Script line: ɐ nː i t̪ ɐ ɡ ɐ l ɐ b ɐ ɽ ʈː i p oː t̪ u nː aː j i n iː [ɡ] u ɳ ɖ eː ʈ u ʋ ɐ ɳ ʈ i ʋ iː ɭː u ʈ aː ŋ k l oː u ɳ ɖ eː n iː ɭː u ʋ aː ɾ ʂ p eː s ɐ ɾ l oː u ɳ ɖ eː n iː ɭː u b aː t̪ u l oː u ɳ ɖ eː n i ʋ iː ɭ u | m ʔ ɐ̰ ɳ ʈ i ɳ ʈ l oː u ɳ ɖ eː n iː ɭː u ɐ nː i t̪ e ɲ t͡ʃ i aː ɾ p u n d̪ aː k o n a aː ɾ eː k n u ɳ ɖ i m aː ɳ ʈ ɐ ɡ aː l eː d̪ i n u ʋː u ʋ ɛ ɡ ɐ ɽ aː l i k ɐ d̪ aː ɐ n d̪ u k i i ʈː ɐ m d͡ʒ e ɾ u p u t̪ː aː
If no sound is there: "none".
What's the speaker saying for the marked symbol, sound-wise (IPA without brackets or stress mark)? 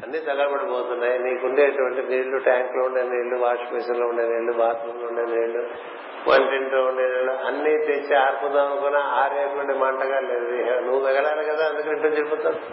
k